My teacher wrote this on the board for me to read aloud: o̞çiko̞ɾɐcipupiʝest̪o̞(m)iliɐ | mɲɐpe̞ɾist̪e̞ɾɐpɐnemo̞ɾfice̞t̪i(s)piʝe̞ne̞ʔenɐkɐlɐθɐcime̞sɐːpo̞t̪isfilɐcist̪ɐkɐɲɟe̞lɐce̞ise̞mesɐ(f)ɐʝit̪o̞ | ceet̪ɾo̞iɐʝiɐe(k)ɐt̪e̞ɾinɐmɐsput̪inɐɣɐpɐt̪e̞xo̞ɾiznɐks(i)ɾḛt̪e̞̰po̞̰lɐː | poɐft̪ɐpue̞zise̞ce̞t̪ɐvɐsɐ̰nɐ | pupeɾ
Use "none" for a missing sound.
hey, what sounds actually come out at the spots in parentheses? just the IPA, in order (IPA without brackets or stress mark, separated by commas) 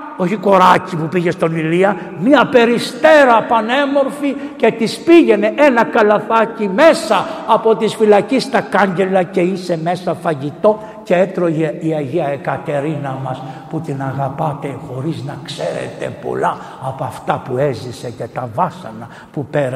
n, s, f, k, e